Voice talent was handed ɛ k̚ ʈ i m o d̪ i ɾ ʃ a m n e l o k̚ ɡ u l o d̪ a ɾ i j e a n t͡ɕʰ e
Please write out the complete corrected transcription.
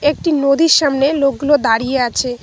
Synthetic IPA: e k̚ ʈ i n o d̪ i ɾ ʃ a m n e l o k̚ ɡ u l o d̪ a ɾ i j e a t͡ɕʰ e